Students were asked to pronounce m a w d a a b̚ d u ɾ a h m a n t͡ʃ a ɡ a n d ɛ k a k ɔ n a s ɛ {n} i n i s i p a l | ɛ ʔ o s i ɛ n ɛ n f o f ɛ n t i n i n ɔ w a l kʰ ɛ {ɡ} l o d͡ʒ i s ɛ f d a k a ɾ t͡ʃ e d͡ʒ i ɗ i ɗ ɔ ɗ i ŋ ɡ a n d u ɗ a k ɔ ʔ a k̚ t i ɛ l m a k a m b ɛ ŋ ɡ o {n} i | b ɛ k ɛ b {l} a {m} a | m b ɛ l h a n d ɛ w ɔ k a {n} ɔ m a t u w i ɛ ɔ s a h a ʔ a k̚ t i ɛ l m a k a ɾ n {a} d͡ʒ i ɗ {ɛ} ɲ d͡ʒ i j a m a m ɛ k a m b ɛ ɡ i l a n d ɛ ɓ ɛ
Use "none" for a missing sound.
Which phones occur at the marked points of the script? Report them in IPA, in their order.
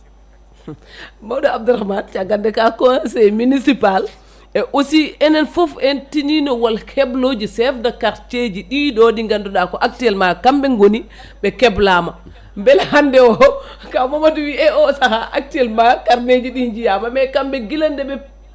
m, b, n, l, m, m, e, i

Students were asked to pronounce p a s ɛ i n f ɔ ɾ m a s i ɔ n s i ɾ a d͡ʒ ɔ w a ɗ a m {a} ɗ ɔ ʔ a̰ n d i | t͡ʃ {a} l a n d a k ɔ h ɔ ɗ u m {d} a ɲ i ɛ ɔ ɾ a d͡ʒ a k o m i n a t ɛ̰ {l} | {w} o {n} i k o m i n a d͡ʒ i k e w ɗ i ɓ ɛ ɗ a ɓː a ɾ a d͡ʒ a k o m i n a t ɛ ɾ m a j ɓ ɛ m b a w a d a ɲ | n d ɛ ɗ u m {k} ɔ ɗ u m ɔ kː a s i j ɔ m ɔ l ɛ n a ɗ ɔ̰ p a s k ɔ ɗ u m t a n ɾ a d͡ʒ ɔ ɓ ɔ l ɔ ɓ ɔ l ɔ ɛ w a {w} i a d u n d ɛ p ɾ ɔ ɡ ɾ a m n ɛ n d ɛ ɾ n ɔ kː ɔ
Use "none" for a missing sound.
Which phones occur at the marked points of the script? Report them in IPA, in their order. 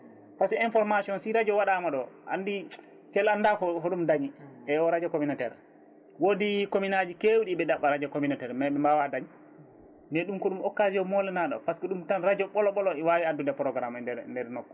a, ɛ, d, ɾ, w, d, k, w

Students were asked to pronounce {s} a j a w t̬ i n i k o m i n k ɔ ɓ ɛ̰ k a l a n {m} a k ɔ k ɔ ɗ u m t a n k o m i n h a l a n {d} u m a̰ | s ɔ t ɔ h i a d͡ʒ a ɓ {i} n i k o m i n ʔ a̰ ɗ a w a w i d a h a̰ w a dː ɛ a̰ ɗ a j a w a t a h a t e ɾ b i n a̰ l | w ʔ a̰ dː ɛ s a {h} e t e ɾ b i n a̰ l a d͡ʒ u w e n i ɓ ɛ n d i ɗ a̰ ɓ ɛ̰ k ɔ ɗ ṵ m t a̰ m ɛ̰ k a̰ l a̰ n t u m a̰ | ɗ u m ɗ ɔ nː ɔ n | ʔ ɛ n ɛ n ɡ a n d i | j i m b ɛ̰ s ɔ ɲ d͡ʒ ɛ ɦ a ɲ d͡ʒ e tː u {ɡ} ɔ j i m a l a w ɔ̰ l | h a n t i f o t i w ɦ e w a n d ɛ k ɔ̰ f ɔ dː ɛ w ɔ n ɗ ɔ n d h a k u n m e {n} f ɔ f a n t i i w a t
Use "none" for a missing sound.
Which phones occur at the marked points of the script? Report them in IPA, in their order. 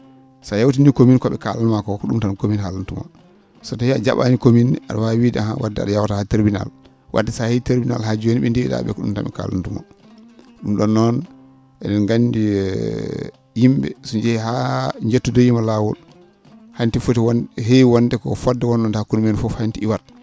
s, m, t, a, h, d, n

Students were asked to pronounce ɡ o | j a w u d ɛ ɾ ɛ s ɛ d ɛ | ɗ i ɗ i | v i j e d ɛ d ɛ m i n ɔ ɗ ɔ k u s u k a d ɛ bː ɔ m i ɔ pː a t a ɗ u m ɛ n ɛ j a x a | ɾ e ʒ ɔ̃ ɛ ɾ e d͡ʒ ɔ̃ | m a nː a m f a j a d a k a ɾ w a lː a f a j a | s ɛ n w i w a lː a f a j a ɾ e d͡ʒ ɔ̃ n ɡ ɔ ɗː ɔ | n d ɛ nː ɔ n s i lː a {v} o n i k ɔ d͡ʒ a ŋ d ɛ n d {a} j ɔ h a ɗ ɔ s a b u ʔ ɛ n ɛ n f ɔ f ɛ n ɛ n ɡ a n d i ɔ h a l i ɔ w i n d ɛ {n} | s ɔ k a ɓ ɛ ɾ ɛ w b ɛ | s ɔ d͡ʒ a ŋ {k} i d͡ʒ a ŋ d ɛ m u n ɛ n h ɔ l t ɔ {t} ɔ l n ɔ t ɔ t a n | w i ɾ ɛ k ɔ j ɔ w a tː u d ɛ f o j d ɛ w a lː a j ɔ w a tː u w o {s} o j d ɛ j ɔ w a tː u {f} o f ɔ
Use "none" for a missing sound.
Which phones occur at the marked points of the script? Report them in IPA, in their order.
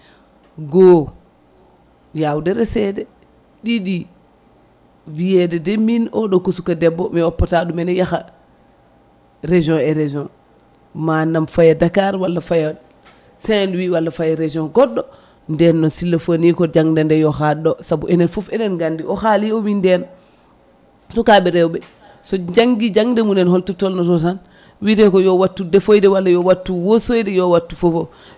f, ɛ, n, ɡ, t, s, f

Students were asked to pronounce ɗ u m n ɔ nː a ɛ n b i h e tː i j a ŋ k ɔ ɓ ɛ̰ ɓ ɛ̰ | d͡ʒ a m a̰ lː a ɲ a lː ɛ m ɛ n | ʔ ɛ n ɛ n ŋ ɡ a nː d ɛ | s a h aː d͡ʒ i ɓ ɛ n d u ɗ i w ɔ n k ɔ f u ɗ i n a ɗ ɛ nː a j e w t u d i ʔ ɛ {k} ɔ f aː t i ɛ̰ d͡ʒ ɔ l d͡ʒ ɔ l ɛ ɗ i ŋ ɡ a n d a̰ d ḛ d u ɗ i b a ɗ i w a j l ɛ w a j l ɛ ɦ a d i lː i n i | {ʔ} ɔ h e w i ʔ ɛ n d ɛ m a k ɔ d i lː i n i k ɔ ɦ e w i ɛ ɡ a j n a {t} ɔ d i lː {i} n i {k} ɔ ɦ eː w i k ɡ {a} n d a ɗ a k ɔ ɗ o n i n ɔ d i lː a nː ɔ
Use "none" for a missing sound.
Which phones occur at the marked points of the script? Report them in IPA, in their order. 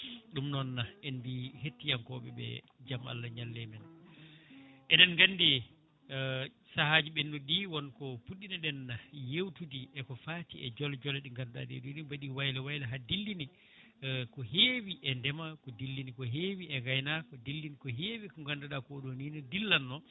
k, k, k, i, k, a

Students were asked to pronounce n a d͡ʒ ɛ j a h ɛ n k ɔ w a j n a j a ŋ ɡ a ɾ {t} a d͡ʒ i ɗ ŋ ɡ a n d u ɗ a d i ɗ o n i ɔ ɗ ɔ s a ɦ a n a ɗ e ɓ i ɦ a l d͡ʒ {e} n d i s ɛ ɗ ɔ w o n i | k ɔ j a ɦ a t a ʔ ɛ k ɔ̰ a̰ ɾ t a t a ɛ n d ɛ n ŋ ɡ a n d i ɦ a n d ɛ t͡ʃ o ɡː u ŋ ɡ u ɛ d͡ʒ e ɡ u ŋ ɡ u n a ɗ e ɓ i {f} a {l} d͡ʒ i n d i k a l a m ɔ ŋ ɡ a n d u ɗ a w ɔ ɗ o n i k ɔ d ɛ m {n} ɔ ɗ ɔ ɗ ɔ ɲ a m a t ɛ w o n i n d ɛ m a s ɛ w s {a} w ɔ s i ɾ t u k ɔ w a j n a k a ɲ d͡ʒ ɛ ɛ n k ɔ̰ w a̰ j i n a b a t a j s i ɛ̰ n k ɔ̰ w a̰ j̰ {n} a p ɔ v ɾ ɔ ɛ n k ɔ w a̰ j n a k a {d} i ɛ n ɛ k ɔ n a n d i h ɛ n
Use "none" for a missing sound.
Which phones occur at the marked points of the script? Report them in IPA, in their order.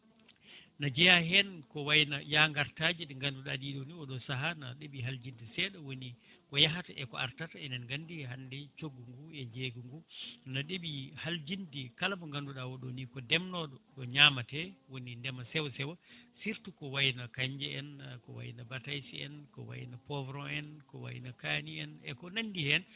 t, i, h, l, n, ɛ, n, n

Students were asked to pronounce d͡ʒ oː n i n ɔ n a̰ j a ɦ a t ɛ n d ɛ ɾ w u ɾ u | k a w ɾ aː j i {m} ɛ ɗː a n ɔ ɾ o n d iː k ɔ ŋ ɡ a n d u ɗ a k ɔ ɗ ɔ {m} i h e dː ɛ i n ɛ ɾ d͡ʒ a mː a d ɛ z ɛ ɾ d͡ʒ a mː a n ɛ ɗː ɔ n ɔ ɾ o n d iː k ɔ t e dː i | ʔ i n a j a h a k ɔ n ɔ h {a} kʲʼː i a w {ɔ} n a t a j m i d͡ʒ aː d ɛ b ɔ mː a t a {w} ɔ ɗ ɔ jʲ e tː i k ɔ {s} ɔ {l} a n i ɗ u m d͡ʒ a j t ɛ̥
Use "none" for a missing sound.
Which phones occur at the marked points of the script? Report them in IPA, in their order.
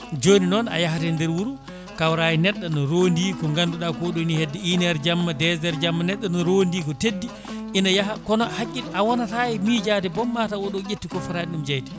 n, n, a, ɔ, w, f, ɾ

